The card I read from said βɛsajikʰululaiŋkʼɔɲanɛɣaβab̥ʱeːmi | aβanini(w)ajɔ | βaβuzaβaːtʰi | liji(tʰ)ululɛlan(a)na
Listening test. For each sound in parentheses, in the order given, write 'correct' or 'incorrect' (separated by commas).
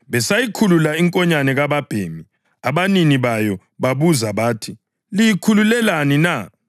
incorrect, incorrect, incorrect